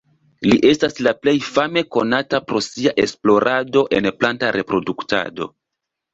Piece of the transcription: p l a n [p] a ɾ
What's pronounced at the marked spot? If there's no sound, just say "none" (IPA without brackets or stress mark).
t